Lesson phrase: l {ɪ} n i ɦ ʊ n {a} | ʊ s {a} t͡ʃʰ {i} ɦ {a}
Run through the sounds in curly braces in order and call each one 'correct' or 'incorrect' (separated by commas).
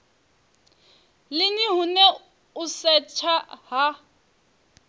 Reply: correct, incorrect, incorrect, incorrect, correct